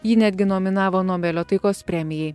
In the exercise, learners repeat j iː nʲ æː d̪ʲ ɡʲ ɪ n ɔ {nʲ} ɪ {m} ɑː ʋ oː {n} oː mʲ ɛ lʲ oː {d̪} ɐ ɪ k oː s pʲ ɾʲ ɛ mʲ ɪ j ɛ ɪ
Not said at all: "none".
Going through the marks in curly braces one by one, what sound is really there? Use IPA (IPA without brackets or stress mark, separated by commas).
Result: mʲ, n, n, t̪